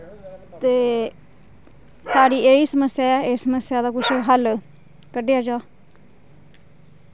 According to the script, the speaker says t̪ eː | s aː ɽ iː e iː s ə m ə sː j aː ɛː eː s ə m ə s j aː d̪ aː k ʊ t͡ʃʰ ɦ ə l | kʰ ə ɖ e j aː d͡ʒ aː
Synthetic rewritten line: t̪ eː | s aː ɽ iː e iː s ə m ə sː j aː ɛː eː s ə m ə s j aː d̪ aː k ʊ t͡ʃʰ ɦ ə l | k ə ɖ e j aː d͡ʒ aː